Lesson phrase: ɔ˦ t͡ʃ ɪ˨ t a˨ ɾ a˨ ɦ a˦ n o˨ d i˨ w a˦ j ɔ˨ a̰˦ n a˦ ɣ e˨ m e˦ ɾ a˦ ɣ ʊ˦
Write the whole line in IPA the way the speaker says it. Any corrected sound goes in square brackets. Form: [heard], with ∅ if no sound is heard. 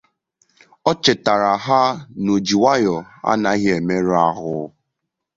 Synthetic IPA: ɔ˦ t͡ʃ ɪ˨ t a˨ ɾ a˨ ɦ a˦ n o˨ [d͡ʒ] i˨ w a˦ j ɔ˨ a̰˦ n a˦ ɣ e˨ m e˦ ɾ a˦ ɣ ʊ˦

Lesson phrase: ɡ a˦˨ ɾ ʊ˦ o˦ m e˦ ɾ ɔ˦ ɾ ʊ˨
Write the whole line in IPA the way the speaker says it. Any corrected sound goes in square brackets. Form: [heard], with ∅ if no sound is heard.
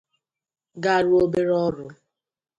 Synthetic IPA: ɡ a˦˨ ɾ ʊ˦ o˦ [b] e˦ ɾ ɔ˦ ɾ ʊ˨

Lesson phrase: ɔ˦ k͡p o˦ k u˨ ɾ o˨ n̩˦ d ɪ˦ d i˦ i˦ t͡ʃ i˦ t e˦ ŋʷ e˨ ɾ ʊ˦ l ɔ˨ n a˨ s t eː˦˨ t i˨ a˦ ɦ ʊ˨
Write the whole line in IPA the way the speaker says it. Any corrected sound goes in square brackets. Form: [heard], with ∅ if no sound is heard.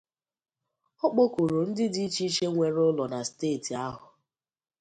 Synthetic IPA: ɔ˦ k͡p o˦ k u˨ ɾ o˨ n̩˦ d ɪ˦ d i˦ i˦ t͡ʃ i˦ [t͡ʃ] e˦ ŋʷ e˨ ɾ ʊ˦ l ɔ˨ n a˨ s t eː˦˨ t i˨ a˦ ɦ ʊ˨

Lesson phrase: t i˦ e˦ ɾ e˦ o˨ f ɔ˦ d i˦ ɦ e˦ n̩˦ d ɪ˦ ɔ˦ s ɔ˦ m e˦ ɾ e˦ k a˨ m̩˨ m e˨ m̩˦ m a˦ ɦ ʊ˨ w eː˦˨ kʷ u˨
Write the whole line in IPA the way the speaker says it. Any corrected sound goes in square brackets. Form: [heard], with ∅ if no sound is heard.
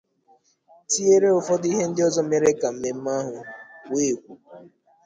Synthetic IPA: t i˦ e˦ ɾ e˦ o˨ f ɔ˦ d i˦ ɦ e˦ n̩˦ d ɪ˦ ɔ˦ [z] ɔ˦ m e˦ ɾ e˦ k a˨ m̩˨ m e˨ m̩˦ m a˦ ɦ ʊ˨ w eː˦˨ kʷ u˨

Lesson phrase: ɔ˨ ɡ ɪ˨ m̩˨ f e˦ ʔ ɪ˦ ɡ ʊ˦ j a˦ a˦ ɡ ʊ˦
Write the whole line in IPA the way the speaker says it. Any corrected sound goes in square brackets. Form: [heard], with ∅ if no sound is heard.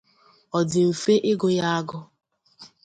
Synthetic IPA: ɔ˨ [d] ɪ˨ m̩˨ f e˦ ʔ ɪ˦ ɡ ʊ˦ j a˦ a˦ ɡ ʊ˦

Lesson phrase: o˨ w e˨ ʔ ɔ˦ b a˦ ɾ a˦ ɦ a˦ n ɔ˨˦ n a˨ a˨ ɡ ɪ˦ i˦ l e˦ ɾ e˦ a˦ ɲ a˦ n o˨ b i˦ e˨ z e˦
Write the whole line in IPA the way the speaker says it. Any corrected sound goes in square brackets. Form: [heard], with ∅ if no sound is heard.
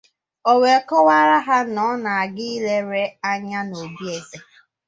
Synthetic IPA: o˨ w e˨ [k] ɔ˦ [w] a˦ ɾ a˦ ɦ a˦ n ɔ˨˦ n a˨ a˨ ɡ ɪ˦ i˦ l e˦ ɾ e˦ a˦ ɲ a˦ n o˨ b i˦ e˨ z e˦

